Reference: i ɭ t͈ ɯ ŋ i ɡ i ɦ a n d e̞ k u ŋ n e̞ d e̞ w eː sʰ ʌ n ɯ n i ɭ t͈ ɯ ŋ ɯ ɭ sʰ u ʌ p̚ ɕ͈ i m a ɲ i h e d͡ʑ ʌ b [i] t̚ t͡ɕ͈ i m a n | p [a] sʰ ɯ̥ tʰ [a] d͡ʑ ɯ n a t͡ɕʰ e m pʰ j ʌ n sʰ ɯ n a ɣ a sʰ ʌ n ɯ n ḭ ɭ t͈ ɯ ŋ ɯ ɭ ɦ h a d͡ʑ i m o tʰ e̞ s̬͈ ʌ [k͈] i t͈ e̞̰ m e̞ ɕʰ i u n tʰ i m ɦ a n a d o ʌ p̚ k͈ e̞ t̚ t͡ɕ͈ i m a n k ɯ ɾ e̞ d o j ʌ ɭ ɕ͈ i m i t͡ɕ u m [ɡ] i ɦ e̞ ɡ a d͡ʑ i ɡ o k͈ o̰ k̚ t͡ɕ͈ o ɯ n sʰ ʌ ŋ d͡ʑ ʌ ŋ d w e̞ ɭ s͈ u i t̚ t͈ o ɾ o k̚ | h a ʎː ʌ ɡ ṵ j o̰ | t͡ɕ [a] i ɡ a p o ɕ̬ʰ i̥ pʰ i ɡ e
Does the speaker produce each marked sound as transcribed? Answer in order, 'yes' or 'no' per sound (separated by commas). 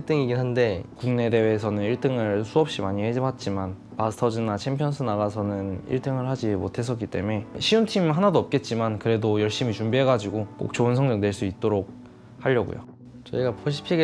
no, yes, no, yes, no, no